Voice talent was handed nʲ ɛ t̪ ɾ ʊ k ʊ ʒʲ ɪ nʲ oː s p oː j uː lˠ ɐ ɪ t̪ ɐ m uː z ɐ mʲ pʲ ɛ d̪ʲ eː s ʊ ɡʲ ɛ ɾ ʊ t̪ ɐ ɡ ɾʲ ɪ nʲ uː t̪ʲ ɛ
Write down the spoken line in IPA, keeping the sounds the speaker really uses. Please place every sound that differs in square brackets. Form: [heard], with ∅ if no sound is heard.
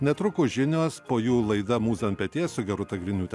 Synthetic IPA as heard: nʲ ɛ t̪ ɾ ʊ k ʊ ʒʲ ɪ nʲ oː s p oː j uː lˠ ɐ ɪ [d̪] ɐ m uː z ɐ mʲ pʲ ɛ [t̪ʲ] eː s ʊ ɡʲ ɛ ɾ ʊ t̪ ɐ ɡ ɾʲ ɪ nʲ uː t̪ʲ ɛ